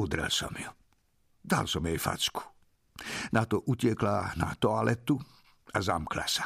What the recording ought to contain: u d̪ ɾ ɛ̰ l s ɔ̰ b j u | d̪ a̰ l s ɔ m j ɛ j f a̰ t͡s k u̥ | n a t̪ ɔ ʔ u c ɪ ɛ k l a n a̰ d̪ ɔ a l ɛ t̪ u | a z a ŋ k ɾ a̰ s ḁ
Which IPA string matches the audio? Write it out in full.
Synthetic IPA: u d̪ ɾ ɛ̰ l s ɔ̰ m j u | d̪ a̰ l s ɔ m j ɛ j f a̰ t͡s k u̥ | n a t̪ ɔ ʔ u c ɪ ɛ k l a n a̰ t̪ ɔ a l ɛ t̪ u | a z a m k l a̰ s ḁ